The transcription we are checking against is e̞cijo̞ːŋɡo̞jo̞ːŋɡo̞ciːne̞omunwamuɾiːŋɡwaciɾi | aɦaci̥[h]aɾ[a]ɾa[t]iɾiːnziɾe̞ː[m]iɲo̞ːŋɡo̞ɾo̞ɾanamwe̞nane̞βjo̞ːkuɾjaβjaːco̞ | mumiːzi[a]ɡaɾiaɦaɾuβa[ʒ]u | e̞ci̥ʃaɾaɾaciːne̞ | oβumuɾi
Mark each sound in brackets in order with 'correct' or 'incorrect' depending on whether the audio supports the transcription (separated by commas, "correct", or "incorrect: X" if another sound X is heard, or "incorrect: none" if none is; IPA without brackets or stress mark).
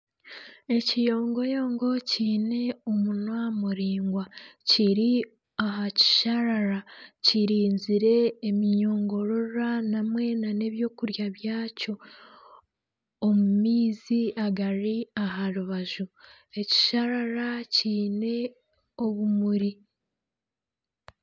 incorrect: ʃ, correct, incorrect: c, correct, correct, correct